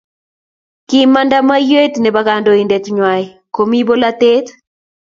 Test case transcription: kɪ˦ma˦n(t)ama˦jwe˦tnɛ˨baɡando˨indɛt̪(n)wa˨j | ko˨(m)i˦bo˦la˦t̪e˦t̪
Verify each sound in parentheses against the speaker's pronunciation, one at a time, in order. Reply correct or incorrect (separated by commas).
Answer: incorrect, incorrect, correct